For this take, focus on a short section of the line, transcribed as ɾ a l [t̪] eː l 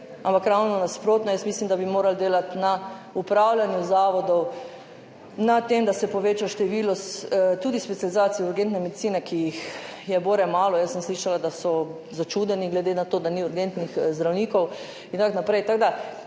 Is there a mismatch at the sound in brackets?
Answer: yes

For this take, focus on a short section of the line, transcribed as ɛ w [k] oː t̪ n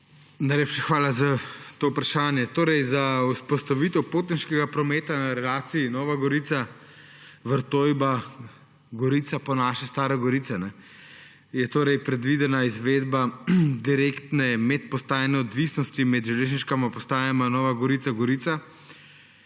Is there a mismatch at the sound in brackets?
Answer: yes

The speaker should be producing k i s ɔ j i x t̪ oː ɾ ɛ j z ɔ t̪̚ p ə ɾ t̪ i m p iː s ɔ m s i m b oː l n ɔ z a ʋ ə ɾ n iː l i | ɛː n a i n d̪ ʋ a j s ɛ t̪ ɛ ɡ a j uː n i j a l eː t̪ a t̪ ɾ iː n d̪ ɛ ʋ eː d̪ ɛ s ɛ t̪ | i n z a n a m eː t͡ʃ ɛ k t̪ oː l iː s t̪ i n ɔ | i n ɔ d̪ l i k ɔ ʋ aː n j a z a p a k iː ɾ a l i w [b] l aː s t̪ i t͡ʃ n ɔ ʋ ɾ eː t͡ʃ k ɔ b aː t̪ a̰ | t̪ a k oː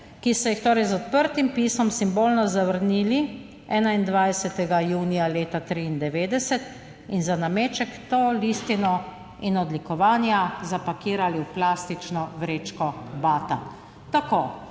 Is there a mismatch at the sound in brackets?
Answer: yes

